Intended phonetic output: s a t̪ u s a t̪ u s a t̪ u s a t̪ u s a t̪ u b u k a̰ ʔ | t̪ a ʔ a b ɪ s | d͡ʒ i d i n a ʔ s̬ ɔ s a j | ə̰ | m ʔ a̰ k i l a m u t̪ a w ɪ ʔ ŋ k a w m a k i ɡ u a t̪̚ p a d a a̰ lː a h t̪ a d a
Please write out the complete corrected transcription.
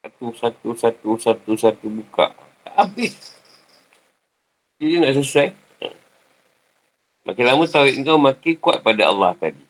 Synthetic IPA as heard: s a t̪ u s a t̪ u s a t̪ u s a t̪ u s a t̪ u b u k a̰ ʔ | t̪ a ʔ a b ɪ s | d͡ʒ i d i n a ʔ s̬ u s a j | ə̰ | m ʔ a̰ k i l a m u t̪ a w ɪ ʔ ŋ k a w m a k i k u a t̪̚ p a d a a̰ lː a h t̪ a d i